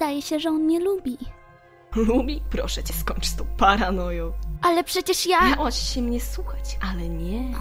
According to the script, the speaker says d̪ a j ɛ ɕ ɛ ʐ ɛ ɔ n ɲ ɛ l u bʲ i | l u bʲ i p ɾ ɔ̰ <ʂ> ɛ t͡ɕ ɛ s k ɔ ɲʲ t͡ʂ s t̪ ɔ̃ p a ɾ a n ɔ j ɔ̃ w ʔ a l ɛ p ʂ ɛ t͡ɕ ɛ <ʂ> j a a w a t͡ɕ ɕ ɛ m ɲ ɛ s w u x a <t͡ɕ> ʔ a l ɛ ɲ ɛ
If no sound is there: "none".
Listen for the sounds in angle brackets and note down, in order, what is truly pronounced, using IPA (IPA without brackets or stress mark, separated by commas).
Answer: ʂ, ʂ, t͡ɕ